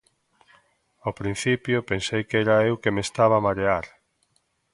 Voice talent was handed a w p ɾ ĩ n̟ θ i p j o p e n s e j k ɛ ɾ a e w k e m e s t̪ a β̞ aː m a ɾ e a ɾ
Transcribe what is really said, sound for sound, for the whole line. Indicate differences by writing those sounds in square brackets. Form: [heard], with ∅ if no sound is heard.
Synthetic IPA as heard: a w p ɾ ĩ n̟ θ i p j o p e n s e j k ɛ ɾ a e w k e m e s t̪ a β̞ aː m a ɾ e a ɾ